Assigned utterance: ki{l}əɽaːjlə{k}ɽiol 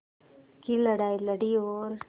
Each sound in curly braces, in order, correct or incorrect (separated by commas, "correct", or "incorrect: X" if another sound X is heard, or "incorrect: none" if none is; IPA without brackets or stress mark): correct, incorrect: none